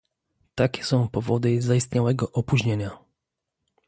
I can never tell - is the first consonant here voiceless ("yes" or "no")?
yes